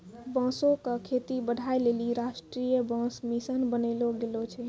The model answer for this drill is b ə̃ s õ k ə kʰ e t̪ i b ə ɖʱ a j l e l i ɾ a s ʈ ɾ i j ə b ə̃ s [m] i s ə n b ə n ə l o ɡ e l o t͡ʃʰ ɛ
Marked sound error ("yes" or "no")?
no